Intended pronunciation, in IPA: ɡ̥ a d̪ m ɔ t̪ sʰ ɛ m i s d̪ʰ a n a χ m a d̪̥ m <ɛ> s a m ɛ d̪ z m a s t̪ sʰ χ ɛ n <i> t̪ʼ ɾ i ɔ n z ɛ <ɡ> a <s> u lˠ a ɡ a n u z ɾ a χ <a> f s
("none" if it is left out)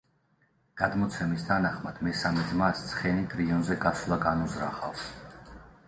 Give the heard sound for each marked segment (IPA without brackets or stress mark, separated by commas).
ɛ, i, ɡ, s, a